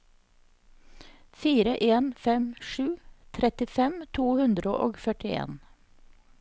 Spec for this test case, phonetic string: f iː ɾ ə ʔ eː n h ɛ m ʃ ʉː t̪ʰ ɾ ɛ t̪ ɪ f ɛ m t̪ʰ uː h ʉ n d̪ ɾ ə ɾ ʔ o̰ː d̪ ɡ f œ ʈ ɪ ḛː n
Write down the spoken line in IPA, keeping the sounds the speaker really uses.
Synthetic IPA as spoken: f iː ɾ ə ʔ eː n f ɛ m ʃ ʉː t̪ʰ ɾ ɛ t̪ ɪ f ɛ m t̪ʰ uː h ʉ n d̪ ɾ ə ʔ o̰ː ɡ f œ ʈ ɪ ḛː n